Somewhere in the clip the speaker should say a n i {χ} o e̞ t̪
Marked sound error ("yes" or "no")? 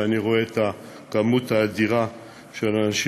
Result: yes